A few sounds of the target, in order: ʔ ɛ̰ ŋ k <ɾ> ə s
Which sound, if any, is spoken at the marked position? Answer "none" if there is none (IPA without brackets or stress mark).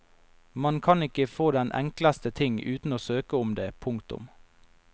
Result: l